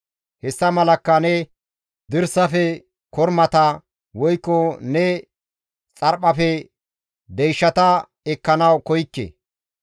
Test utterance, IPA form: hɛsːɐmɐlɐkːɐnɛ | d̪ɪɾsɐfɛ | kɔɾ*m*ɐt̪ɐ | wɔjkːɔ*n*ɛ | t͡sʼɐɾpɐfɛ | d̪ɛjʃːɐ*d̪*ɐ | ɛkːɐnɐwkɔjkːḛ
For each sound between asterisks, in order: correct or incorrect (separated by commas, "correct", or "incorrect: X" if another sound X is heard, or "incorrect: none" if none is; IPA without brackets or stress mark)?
correct, correct, incorrect: t̪